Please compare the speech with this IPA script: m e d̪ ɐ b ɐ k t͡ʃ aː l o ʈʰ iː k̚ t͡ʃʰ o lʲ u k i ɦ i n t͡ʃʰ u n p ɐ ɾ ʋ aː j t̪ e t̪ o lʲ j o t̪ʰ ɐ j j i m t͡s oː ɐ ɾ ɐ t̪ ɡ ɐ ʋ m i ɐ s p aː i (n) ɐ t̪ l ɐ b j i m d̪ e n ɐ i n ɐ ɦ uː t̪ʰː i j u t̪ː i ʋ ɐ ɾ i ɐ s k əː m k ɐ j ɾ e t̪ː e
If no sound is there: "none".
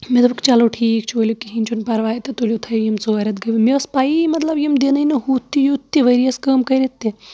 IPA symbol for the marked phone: m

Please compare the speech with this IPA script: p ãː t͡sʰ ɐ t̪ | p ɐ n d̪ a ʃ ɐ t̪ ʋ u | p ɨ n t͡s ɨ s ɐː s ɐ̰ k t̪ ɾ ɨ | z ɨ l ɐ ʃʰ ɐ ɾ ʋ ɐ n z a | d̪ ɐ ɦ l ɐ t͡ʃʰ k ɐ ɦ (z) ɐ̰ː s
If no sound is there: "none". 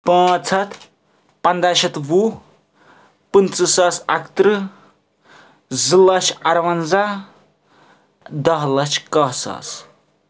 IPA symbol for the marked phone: s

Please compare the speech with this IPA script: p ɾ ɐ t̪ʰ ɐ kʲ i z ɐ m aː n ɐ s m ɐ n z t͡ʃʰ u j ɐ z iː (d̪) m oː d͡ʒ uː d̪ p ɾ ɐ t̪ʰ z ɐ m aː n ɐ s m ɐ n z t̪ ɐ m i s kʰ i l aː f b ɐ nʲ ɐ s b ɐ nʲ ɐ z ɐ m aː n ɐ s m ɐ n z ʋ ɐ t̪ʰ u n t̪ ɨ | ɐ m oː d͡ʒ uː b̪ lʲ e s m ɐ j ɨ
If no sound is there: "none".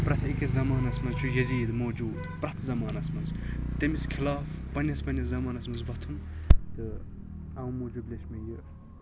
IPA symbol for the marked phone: d̪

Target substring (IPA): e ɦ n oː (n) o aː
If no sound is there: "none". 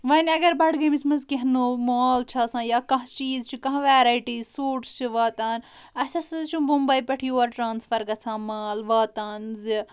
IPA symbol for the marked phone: m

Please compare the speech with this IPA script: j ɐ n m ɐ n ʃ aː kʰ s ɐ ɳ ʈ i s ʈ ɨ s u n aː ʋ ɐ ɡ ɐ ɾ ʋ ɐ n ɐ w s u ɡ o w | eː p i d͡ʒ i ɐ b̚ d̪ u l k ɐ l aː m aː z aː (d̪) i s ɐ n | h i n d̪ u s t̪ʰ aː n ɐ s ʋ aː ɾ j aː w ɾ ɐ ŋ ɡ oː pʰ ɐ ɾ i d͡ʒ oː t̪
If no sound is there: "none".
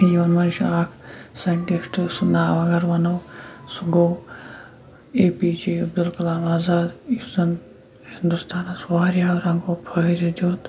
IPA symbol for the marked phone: d̪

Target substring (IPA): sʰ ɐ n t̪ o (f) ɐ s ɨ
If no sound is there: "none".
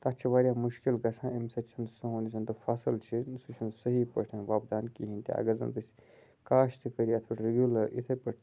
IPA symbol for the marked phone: f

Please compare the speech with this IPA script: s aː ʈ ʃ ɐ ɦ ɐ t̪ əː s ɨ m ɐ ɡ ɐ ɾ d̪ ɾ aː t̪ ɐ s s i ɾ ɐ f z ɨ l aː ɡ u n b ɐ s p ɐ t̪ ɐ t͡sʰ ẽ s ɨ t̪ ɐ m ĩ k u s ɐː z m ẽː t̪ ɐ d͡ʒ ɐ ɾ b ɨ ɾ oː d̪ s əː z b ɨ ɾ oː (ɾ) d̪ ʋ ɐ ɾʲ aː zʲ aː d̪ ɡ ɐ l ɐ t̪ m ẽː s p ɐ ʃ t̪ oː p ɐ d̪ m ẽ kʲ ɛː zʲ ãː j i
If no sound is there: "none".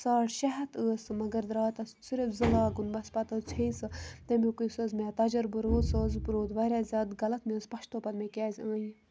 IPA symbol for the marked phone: none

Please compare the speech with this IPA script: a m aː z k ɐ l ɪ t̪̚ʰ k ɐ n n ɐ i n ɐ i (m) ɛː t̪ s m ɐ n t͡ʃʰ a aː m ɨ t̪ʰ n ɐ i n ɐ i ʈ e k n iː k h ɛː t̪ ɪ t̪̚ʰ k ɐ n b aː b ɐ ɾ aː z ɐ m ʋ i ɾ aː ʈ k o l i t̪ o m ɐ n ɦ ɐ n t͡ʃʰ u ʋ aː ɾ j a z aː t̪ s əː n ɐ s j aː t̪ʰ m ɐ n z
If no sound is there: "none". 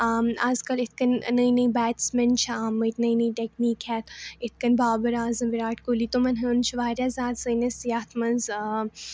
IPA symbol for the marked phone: b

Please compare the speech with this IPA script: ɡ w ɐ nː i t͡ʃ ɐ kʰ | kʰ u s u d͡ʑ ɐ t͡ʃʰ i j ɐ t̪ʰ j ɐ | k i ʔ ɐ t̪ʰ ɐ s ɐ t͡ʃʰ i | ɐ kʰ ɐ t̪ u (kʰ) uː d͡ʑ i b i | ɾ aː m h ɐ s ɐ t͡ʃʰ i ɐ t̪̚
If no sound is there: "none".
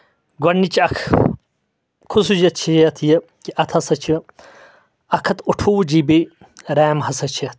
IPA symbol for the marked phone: ʈʰ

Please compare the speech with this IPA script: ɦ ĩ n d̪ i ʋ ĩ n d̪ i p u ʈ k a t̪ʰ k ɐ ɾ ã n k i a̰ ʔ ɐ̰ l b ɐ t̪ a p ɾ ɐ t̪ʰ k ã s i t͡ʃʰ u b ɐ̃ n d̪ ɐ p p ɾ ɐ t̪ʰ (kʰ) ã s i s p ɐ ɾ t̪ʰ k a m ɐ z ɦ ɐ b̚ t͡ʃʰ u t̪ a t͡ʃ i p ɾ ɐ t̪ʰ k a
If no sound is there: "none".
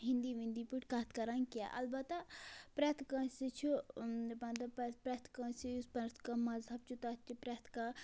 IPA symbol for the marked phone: k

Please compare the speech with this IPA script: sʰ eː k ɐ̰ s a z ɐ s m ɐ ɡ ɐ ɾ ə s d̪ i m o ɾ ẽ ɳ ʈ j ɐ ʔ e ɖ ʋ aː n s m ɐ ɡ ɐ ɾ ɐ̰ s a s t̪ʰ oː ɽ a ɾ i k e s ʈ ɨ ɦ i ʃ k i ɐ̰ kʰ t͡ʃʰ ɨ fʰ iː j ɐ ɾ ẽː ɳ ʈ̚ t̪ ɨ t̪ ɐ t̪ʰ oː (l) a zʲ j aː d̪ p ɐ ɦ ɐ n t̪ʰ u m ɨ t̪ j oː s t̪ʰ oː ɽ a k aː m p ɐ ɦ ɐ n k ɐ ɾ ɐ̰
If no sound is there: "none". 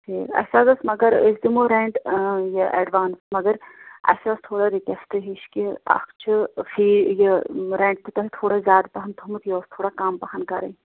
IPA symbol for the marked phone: ɽ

